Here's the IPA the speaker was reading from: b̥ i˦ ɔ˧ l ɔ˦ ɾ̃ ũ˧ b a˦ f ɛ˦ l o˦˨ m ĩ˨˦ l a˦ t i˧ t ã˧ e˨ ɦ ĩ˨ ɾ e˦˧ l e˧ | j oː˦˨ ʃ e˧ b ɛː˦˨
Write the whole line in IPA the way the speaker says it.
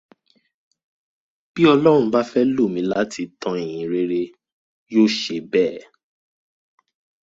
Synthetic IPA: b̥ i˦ ɔ˧ l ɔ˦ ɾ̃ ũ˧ b a˦ f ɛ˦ l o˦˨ m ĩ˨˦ l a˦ t i˧ t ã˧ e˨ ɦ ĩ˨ ɾ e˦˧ ɾ e˧ | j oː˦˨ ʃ e˧ b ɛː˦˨